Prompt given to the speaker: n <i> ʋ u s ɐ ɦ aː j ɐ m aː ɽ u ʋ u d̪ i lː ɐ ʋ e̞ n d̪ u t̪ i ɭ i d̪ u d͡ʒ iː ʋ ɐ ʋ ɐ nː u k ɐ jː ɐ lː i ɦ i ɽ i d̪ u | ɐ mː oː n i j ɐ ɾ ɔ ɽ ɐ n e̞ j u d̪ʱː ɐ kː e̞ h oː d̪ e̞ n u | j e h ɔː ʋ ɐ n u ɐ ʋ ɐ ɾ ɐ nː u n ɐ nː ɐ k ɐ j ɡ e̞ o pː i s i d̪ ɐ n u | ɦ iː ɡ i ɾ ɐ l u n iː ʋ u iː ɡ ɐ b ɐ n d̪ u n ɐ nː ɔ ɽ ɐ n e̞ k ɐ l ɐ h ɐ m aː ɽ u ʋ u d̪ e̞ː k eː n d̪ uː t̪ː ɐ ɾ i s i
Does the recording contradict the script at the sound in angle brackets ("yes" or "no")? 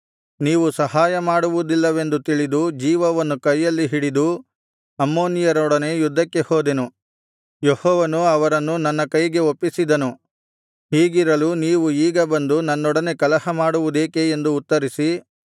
yes